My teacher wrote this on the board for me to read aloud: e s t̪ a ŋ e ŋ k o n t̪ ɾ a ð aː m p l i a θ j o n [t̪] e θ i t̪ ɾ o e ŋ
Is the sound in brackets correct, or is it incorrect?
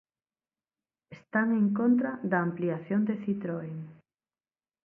incorrect